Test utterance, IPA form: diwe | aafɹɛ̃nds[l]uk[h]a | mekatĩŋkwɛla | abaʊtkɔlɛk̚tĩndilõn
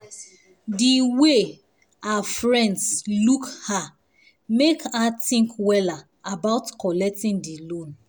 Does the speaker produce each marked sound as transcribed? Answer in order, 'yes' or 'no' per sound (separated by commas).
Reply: yes, yes